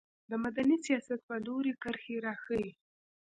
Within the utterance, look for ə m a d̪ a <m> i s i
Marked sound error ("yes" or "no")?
yes